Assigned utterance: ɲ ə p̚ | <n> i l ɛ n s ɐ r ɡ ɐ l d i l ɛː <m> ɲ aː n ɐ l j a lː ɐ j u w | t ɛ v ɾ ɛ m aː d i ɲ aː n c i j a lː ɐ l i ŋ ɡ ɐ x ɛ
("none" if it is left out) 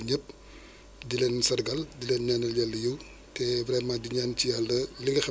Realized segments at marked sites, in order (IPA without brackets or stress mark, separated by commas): d, n